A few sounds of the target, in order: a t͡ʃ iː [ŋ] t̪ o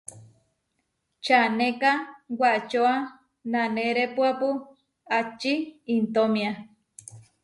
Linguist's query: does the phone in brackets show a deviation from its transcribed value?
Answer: yes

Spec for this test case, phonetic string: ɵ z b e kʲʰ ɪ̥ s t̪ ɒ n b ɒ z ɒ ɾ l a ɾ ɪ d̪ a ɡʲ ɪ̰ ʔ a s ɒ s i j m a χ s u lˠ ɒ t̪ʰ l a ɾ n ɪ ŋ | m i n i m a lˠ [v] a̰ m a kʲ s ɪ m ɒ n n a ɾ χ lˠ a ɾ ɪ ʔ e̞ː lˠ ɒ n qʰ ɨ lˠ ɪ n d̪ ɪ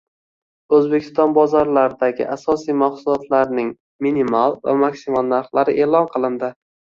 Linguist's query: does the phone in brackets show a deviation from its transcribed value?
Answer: no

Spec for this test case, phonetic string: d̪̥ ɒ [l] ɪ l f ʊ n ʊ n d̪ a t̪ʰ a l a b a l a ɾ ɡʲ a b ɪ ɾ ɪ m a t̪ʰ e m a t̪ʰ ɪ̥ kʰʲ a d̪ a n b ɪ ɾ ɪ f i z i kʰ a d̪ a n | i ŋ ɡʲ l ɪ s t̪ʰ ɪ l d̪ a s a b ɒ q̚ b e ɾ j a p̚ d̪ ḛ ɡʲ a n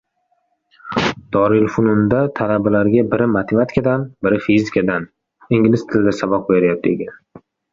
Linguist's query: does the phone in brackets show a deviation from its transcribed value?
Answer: yes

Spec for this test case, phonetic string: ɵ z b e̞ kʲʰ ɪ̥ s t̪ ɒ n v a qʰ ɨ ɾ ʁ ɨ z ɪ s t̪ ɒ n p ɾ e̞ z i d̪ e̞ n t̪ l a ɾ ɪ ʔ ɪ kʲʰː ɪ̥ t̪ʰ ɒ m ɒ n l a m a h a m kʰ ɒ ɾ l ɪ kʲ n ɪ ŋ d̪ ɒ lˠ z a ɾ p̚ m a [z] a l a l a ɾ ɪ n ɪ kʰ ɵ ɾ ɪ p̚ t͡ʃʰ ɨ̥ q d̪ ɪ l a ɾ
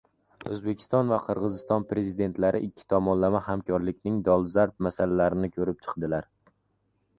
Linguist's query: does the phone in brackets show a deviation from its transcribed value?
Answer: yes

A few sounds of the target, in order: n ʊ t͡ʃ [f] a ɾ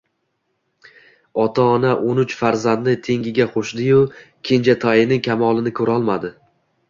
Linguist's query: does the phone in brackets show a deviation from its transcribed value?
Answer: no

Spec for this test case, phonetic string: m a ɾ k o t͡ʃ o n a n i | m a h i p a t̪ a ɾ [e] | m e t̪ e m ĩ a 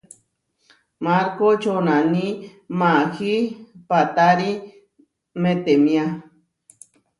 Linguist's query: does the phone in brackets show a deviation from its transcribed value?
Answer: yes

